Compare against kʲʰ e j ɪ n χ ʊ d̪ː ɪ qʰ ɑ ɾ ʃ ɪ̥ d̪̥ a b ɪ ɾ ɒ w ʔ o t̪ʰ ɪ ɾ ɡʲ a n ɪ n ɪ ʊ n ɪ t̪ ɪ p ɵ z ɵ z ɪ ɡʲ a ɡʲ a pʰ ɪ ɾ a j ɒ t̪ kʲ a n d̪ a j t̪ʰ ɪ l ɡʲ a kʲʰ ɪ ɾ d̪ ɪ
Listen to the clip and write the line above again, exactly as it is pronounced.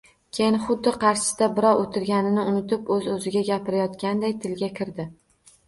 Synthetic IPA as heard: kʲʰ e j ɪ n χ ʊ d̪ː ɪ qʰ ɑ ɾ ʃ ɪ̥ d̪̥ a b ɪ ɾ ɒ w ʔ o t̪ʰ ɪ ɾ ɡʲ a n ɪ n ɪ ʊ n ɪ t̪ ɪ p ɵ z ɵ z ɪ ɡʲ a ɡʲ a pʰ ɪ ɾ a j ɒ t̪ kʲ a n d̪ a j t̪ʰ ɪ l ɡʲ a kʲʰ ɪ ɾ d̪ ɪ